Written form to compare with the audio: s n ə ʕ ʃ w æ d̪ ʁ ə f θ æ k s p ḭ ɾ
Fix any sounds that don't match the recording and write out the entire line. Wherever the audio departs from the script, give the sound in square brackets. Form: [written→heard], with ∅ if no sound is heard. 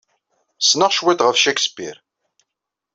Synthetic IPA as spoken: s n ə [ʕ→ʁ] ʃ w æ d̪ ʁ ə f [θ→ʃ] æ k s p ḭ ɾ